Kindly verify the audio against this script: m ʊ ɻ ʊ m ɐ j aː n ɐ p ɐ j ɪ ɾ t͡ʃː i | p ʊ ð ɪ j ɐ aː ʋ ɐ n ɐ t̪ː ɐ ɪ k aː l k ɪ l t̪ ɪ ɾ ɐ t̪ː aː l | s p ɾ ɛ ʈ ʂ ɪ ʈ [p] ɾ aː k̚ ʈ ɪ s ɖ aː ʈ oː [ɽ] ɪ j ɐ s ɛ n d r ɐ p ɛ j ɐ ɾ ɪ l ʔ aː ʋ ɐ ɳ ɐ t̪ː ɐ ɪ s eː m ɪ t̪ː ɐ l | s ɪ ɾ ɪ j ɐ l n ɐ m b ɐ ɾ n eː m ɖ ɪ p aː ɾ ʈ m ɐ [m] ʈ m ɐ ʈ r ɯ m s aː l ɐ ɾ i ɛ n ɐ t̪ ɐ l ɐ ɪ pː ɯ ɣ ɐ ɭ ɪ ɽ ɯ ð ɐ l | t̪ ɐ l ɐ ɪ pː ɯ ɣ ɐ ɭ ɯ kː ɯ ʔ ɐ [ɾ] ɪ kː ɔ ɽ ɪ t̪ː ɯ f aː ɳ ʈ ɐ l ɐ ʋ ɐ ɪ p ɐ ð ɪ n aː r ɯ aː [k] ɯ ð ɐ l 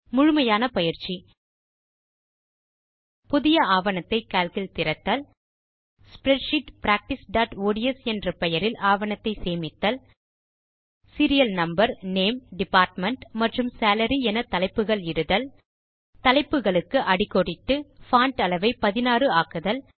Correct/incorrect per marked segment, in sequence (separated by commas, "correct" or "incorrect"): correct, correct, incorrect, incorrect, correct